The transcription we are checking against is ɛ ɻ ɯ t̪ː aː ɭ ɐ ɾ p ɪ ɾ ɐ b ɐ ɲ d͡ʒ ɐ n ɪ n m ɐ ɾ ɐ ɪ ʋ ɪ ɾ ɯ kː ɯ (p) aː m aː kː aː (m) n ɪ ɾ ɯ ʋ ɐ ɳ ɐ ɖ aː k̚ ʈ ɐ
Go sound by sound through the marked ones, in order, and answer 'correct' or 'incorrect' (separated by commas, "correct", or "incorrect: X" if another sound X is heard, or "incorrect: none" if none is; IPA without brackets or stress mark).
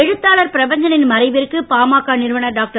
correct, incorrect: none